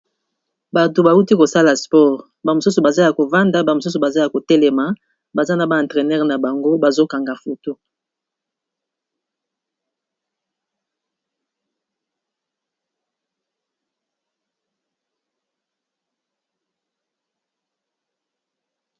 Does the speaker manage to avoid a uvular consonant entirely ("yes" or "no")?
no